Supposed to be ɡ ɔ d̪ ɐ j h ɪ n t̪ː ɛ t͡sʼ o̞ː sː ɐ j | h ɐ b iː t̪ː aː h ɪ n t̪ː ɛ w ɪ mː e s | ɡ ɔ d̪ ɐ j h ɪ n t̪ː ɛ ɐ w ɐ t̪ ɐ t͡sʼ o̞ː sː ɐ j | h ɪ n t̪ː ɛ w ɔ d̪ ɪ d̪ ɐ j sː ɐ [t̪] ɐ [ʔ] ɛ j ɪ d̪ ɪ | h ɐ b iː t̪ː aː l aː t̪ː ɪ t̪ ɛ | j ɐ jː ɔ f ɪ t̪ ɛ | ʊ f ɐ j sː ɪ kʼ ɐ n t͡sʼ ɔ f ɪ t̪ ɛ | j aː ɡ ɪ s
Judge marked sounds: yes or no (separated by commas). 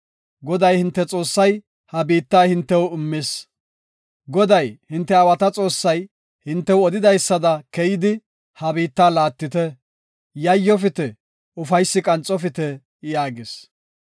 no, no